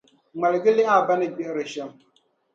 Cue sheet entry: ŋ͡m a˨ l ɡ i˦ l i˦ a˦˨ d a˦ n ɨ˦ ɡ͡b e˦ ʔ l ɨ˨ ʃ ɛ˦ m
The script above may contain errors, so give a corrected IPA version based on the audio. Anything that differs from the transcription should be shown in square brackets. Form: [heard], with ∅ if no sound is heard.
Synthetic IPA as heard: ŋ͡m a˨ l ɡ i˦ l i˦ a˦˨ [b] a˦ n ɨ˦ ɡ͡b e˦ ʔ [ɾ] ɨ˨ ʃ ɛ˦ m